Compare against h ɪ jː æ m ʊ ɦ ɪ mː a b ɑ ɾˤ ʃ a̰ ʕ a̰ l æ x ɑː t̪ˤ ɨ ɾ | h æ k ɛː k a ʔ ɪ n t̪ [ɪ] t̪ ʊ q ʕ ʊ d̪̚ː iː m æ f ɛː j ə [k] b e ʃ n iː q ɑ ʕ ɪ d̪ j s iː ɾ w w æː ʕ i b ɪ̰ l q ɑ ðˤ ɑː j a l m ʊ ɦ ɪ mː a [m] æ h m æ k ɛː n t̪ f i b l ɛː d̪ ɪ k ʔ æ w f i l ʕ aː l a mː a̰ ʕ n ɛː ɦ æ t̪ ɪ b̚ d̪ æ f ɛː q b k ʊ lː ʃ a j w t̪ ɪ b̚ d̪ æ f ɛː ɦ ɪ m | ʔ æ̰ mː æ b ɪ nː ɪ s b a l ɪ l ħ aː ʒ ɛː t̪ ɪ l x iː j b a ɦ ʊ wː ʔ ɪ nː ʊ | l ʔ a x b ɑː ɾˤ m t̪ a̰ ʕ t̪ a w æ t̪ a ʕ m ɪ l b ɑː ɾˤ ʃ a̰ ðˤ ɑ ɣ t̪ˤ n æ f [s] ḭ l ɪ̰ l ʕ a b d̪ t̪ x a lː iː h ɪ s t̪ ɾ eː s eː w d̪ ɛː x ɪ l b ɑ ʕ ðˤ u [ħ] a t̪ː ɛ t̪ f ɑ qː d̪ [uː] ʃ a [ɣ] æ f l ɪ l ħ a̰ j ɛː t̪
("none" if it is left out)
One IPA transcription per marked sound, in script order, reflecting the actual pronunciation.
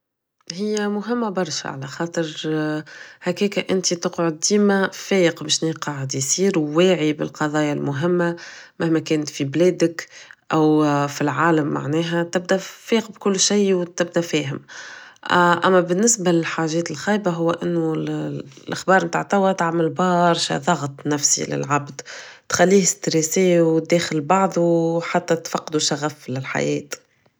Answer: i, q, m, s, ħ, u, ɣ

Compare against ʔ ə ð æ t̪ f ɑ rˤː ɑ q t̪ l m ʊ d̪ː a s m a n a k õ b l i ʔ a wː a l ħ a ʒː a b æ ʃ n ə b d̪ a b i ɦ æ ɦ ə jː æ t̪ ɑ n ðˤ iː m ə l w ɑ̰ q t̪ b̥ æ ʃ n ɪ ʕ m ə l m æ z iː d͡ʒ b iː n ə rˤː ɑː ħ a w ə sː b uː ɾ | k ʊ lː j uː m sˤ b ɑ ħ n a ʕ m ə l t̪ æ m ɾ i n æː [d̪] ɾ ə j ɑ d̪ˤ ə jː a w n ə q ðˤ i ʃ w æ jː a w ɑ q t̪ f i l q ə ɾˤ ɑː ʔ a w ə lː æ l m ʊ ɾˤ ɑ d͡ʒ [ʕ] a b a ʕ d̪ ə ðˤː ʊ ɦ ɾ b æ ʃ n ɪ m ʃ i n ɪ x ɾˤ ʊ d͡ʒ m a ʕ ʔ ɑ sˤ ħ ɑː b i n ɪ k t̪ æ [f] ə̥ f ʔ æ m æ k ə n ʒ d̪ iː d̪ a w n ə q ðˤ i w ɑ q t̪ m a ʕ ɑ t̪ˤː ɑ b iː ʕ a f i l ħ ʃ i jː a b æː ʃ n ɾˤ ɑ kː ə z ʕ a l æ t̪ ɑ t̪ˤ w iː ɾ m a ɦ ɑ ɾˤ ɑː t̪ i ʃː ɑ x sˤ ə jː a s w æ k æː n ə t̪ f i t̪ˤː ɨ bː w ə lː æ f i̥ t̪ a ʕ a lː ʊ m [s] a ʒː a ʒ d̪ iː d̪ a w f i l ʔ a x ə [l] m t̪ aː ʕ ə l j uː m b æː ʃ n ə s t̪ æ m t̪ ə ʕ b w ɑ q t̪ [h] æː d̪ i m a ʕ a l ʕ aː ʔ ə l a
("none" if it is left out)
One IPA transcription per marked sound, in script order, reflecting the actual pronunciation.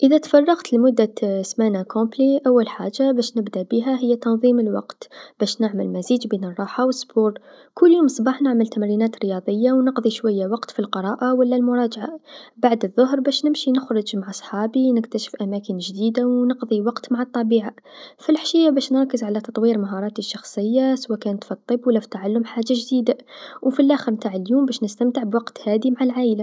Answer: t̪, ʕ, ʃ, ħ, ɾ, h

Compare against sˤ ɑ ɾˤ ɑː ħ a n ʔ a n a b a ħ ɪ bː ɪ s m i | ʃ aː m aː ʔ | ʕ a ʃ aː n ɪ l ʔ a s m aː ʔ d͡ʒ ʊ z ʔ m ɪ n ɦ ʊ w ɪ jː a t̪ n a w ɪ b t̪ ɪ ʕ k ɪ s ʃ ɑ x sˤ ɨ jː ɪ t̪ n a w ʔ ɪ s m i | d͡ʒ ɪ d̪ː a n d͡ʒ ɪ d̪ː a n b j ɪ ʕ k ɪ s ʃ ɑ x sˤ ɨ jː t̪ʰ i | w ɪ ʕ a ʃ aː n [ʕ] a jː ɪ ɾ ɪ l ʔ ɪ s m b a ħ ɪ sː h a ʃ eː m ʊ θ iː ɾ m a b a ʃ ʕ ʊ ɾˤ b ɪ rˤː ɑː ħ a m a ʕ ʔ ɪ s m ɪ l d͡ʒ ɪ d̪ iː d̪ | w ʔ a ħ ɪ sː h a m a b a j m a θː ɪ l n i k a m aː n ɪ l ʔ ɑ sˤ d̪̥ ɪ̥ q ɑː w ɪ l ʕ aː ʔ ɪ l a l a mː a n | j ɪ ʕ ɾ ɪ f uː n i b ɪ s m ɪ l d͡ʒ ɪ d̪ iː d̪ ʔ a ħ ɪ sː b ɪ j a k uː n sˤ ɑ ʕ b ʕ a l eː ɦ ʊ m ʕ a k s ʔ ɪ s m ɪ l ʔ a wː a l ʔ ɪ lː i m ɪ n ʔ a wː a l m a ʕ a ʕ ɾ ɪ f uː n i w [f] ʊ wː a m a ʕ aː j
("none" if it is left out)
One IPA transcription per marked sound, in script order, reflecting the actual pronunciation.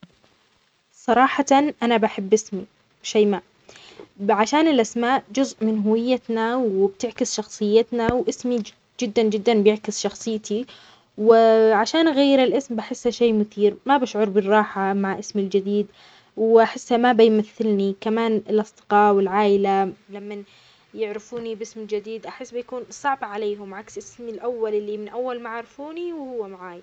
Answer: ɣ, h

